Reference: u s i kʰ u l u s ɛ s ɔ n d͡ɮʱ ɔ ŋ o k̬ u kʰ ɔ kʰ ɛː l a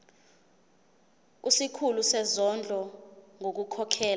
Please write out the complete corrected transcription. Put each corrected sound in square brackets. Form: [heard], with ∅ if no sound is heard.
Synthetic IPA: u s i kʰ u l u s ɛ [z] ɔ n d͡ɮʱ ɔ ŋ o k̬ u kʰ ɔ kʰ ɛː l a